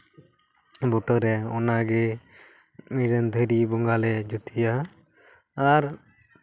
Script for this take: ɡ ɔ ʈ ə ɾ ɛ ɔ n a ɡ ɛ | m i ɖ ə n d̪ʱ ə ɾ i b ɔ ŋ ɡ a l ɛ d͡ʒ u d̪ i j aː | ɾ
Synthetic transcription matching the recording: b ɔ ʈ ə ɾ ɛ ɔ n a ɡ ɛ | m i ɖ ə n d̪ʱ ə ɾ i b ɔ ŋ ɡ a l ɛ d͡ʒ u t̪ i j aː | ɾ